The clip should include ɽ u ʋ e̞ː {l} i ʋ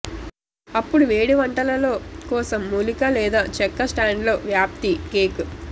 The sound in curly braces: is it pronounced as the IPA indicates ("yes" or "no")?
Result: no